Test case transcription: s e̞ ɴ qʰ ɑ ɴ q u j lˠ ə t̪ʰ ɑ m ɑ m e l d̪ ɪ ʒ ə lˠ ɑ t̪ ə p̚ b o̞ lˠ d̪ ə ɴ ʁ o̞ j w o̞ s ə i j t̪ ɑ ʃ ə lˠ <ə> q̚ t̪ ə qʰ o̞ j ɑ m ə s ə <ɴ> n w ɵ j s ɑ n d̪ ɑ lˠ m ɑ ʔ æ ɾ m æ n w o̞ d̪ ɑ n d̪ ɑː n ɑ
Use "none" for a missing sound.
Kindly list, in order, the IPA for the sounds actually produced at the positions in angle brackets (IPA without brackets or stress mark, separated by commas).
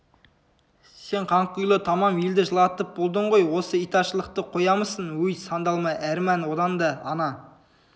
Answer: ə, none